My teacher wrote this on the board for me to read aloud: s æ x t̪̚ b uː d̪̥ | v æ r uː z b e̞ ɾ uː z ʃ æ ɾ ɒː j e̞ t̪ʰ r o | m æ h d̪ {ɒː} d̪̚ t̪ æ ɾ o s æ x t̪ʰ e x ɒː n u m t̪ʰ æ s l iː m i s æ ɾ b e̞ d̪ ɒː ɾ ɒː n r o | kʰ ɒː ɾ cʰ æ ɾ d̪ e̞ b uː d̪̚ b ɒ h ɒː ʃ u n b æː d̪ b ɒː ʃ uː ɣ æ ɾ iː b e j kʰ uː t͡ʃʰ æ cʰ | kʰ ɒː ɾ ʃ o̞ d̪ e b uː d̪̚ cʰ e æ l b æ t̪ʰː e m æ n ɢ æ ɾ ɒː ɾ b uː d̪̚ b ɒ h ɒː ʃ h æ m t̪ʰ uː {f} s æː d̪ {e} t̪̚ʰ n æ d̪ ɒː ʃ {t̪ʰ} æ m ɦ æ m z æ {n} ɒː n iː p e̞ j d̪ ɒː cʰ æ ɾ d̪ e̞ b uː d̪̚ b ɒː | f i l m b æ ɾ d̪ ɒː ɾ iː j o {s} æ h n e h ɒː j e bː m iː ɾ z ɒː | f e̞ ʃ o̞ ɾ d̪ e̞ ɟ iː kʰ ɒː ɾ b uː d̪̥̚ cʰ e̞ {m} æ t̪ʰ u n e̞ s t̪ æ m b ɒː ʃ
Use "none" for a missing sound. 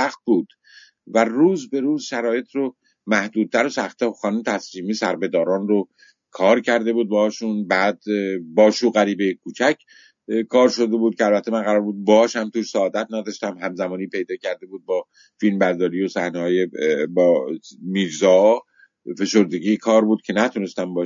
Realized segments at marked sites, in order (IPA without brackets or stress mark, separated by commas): uː, ʃ, æ, t̪, m, s, n